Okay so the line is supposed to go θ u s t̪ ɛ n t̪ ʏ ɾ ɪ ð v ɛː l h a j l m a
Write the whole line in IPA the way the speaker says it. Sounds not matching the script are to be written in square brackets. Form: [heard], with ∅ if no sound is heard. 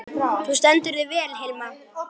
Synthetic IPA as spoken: θ u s t̪ ɛ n t̪ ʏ ɾ ɪ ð v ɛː l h [e] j l m a